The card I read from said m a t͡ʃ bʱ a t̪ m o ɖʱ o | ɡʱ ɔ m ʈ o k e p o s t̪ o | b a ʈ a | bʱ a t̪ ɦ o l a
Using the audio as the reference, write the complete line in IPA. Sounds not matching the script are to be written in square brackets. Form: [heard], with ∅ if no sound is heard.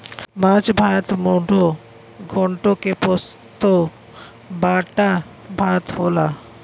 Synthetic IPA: m a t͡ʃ bʱ a t̪ m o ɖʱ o | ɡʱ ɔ [ɳ] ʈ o k e p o s t̪ o | b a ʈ a | bʱ a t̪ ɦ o l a